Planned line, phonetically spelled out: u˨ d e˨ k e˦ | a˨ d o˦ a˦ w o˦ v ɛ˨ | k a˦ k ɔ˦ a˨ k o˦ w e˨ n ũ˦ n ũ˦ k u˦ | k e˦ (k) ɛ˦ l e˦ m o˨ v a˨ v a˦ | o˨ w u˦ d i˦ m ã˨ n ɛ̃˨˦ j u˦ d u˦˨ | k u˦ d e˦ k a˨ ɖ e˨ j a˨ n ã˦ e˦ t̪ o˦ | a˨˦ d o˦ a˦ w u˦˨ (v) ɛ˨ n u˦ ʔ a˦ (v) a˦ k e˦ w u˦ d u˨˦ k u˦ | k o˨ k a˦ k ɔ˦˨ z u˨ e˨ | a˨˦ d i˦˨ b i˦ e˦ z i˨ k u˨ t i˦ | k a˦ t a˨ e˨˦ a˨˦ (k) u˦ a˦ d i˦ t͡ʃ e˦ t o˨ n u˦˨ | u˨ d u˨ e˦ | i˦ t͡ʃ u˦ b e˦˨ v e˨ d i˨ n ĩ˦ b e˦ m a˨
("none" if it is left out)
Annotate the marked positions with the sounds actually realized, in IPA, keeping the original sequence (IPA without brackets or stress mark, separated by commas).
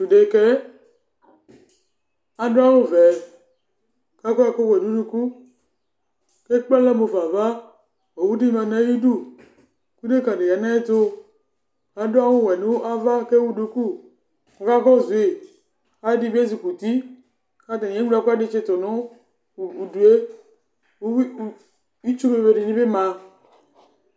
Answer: k͡p, w, v, k